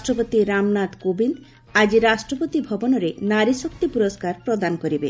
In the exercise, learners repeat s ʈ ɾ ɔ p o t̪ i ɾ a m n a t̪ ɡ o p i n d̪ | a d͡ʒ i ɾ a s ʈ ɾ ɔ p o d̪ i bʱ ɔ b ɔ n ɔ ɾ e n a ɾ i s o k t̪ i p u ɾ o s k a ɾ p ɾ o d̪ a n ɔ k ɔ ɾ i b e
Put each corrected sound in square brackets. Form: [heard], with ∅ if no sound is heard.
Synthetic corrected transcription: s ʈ ɾ ɔ p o t̪ i ɾ a m n a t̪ [k] o [b] i n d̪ | a d͡ʒ i ɾ a s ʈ ɾ ɔ p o [t̪] i bʱ ɔ b ɔ n ɔ ɾ e n a ɾ i s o k t̪ i p u ɾ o s k a ɾ p ɾ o d̪ a n ɔ k ɔ ɾ i b e